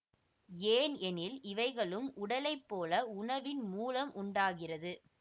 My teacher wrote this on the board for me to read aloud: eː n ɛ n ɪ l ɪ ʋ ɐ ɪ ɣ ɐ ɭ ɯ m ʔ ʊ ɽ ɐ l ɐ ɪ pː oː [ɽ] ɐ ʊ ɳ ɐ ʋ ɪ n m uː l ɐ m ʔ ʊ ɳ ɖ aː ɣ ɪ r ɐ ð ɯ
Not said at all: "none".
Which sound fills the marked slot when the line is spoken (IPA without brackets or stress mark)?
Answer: l